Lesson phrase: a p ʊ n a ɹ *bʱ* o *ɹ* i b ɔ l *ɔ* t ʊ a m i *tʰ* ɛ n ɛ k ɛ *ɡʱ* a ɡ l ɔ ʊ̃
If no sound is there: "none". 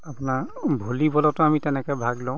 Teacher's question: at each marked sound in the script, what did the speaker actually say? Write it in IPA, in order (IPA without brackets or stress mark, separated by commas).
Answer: bʱ, l, ɔ, t, bʱ